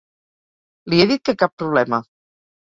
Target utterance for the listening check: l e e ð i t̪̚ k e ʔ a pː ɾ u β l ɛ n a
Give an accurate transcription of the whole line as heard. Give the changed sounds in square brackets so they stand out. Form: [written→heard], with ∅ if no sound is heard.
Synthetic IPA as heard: l [e→i] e ð i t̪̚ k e [ʔ→k] a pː ɾ u β l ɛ [n→m] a